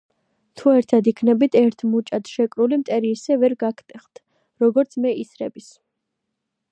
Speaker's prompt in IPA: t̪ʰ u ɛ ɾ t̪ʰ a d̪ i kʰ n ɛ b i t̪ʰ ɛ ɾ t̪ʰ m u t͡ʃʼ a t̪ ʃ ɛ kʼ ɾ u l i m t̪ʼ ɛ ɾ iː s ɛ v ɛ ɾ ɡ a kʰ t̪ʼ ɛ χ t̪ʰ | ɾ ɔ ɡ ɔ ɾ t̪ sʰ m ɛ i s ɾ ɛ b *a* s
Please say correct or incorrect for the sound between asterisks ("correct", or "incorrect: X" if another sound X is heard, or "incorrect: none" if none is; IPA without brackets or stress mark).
incorrect: i